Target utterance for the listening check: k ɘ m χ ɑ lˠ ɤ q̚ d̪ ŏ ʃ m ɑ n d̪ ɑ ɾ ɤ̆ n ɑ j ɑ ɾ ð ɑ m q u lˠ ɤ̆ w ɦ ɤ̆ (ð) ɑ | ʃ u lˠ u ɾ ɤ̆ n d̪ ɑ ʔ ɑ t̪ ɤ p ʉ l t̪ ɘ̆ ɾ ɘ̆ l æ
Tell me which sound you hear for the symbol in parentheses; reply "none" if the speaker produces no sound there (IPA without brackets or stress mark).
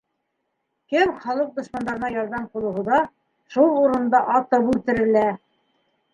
ð